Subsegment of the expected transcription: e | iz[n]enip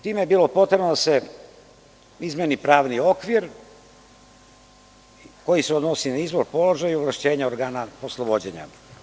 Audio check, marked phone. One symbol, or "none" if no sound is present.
m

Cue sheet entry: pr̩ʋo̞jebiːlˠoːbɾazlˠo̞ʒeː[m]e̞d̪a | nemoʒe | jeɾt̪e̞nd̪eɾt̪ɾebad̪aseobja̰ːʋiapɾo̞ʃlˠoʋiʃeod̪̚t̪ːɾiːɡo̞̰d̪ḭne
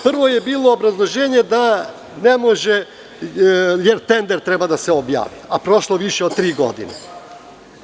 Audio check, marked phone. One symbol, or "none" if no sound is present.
ɲ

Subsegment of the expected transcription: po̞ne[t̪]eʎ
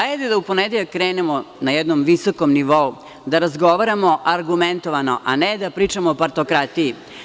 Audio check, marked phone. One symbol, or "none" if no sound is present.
d̪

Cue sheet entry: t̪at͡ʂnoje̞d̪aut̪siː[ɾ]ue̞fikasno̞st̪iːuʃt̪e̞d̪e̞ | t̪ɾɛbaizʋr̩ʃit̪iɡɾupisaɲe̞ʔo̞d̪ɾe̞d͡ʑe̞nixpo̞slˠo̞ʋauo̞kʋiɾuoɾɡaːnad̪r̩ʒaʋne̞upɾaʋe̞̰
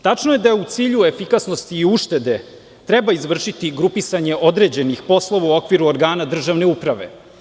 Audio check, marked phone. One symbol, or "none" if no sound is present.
ʎ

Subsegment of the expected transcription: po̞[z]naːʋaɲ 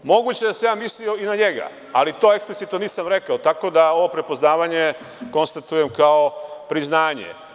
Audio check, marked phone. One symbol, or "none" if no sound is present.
z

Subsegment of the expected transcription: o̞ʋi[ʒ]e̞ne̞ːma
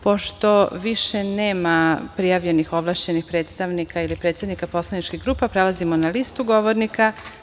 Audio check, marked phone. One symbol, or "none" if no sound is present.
ʃ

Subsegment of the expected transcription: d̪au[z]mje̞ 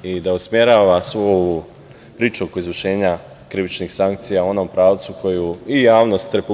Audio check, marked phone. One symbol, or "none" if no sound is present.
s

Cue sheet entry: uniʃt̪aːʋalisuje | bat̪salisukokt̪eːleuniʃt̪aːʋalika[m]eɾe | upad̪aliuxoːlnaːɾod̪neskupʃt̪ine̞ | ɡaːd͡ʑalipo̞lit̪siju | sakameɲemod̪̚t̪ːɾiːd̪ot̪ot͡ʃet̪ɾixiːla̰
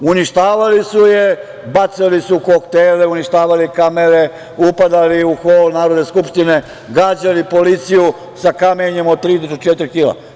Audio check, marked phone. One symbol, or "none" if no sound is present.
m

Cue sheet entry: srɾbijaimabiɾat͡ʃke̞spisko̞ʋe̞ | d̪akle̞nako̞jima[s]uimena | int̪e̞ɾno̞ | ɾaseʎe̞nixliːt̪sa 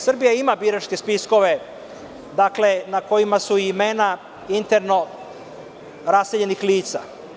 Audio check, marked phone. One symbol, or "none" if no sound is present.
s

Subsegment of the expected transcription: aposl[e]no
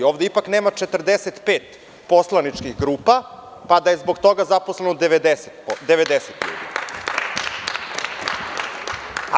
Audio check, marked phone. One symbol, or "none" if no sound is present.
e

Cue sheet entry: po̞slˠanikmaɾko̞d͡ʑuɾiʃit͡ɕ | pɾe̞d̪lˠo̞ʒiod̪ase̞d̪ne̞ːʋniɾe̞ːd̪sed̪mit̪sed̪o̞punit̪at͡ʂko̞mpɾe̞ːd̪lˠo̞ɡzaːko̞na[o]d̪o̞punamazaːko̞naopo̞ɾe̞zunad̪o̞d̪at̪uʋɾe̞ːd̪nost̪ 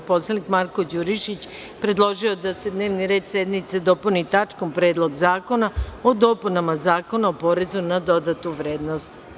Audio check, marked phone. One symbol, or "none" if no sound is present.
o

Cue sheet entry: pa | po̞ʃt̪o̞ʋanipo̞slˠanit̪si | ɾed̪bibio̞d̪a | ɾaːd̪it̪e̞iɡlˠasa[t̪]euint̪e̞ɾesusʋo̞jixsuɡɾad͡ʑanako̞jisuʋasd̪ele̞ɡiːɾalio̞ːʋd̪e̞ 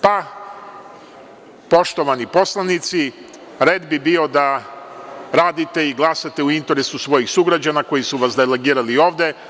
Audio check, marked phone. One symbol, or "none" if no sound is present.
t̪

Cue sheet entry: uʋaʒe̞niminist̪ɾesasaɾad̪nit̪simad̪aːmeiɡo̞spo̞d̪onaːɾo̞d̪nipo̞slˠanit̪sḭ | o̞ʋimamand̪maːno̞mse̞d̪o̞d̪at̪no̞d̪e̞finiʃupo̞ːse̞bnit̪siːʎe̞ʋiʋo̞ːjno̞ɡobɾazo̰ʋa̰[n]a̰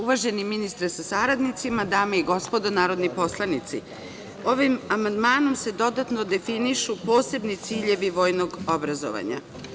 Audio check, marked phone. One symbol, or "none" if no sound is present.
ɲ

